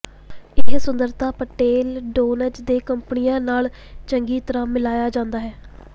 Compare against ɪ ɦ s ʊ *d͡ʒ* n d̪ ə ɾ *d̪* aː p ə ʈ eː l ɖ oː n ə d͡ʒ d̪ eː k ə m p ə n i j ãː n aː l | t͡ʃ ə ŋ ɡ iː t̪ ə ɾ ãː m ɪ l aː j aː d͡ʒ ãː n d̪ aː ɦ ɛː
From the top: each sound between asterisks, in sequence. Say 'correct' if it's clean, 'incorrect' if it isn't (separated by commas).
incorrect, incorrect